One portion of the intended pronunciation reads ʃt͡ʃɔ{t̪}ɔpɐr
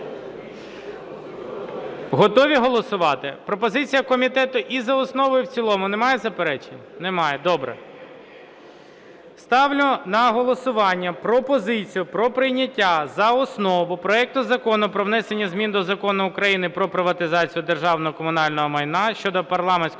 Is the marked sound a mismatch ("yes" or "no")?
yes